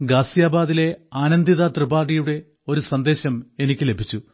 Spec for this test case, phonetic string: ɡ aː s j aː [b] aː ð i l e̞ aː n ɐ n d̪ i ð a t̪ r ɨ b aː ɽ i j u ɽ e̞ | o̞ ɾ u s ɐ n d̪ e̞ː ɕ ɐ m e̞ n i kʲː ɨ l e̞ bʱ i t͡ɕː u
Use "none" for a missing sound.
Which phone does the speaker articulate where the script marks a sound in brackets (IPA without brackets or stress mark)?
b